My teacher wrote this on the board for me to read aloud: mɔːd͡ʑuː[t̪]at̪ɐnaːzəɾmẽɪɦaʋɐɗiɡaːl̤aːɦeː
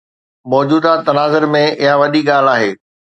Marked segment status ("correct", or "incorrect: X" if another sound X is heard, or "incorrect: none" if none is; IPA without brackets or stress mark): incorrect: d̪